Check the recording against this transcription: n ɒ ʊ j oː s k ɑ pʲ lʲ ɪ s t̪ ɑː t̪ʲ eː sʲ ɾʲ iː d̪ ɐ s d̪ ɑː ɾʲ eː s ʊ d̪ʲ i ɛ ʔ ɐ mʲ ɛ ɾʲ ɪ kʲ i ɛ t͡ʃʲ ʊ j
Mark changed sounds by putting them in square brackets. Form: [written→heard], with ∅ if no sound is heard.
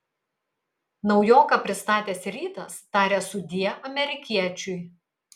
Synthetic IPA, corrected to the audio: n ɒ ʊ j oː [s→∅] k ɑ pʲ [lʲ→ɾʲ] ɪ s t̪ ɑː t̪ʲ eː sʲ ɾʲ iː [d̪→t̪] ɐ s [d̪→t̪] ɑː ɾʲ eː s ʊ d̪ʲ i ɛ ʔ ɐ mʲ ɛ ɾʲ ɪ kʲ i ɛ t͡ʃʲ ʊ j